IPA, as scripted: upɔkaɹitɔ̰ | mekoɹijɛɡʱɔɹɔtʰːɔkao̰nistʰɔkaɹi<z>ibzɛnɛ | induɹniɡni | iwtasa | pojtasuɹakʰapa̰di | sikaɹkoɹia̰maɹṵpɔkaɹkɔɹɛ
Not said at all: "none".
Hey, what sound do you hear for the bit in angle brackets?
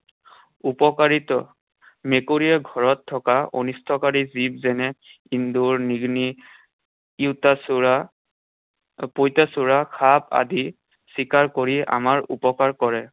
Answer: z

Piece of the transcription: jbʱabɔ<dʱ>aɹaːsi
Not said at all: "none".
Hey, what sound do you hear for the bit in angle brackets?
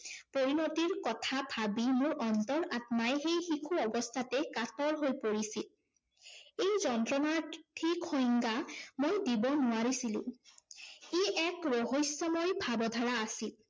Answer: dʱ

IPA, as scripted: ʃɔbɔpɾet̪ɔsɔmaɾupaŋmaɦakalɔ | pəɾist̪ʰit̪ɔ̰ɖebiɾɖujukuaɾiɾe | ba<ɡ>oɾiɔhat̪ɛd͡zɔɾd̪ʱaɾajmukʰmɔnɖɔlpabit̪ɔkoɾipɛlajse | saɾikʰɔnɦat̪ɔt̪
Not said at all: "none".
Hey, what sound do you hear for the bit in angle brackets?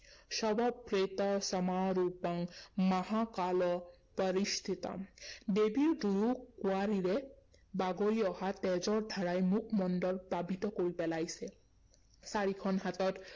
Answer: ɡ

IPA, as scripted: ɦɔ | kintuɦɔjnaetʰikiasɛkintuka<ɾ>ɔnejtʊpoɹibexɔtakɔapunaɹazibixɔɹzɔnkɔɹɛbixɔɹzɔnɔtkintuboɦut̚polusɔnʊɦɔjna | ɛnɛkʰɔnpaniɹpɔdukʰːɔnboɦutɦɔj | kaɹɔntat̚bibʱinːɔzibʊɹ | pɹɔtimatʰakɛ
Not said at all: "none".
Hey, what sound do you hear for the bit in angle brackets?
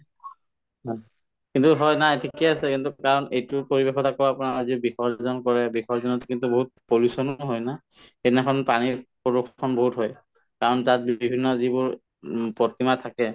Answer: ɹ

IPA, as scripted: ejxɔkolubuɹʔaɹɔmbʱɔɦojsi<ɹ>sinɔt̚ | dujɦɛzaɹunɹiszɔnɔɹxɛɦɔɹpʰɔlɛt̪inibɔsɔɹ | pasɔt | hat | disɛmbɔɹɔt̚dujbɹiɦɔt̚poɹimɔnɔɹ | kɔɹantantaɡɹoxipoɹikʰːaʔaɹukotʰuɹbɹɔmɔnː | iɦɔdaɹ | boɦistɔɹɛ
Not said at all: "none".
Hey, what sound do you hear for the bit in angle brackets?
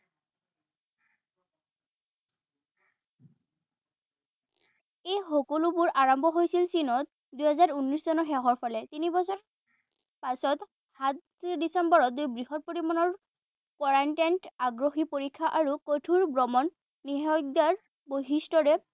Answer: l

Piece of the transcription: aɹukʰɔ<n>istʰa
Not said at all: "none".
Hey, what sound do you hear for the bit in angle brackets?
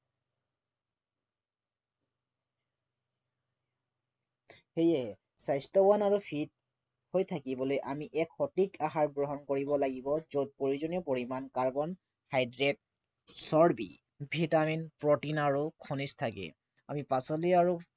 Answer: n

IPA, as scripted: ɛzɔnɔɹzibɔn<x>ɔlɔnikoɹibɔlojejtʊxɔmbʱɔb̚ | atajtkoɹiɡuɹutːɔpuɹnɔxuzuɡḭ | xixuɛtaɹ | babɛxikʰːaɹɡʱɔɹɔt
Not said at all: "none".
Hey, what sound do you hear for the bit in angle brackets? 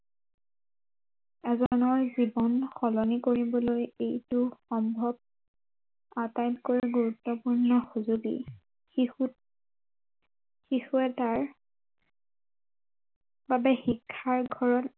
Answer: x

